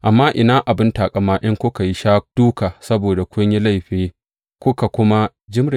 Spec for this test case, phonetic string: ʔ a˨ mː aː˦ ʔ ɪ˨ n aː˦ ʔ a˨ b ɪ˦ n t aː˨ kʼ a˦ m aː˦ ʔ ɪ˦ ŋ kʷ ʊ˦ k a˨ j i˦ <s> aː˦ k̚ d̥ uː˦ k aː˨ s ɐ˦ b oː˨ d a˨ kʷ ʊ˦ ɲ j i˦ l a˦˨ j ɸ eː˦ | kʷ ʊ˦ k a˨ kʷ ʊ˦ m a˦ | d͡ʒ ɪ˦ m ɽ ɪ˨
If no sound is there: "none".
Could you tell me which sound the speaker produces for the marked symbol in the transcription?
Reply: ʃ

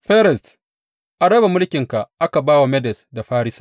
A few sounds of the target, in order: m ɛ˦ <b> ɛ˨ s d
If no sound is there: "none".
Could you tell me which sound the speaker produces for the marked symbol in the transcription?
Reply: d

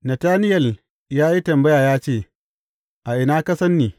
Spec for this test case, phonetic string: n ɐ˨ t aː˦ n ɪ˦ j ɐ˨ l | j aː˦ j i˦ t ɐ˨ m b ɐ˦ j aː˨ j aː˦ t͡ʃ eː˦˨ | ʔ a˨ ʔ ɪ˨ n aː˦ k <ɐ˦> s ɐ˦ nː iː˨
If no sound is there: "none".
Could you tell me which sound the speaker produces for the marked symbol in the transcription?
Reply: ɐ˦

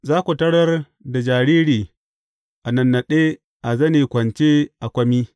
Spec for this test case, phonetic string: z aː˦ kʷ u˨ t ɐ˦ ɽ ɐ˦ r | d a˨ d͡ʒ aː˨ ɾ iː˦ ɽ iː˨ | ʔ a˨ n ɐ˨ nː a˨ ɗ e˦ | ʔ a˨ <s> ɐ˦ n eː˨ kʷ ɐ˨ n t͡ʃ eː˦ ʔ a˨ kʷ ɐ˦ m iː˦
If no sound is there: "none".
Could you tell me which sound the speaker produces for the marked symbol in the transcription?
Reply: z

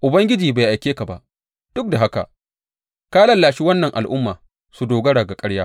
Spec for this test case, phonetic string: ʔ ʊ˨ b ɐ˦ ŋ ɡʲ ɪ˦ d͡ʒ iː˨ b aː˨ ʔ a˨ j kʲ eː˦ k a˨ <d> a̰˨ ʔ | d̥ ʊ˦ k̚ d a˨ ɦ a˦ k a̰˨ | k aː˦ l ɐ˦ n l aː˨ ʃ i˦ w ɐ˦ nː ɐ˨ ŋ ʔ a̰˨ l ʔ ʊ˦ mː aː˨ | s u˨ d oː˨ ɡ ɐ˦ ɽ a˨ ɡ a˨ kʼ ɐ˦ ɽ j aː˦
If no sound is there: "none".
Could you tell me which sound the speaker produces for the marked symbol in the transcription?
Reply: b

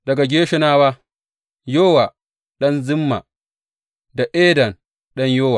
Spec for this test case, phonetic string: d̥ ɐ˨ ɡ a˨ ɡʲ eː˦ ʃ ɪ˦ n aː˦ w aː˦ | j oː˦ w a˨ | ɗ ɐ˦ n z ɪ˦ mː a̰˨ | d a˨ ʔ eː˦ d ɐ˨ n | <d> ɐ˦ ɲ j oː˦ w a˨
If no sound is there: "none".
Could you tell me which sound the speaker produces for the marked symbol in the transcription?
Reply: ɗ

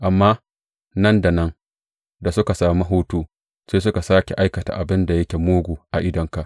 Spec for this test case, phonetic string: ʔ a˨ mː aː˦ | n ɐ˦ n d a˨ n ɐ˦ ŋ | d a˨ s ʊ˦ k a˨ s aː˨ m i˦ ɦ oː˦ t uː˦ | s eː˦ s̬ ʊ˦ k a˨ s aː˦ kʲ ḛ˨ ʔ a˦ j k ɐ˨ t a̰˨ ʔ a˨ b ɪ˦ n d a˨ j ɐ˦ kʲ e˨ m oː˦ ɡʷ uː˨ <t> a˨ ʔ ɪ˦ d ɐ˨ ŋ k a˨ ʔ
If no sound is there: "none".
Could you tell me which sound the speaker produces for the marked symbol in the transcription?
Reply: ʔ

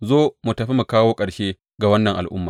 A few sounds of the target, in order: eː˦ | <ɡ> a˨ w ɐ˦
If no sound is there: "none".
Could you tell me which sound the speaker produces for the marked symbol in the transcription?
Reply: ɡ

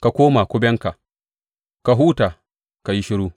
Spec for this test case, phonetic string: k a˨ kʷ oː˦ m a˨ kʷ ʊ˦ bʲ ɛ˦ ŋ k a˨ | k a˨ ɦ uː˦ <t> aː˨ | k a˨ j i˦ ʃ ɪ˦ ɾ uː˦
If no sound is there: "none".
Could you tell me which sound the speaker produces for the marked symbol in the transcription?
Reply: t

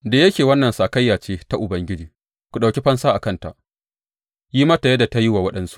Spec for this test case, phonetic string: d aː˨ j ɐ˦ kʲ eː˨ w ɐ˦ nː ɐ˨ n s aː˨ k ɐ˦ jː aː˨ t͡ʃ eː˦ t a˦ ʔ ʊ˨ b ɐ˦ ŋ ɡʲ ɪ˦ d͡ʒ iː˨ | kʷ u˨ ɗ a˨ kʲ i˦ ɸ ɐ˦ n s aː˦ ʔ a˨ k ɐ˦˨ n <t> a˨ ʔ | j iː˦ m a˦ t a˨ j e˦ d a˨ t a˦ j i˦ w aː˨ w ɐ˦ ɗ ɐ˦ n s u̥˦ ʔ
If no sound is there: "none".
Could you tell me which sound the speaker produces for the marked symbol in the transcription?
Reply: t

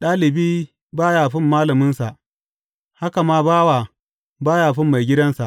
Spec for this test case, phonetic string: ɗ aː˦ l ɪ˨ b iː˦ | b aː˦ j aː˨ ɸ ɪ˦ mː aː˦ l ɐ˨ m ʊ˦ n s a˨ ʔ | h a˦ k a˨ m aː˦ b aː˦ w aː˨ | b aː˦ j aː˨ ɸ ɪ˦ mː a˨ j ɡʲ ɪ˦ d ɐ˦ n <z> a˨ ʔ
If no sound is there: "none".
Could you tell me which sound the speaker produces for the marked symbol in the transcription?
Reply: s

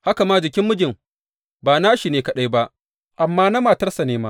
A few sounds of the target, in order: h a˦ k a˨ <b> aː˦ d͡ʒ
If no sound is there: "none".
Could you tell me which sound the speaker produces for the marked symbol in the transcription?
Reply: m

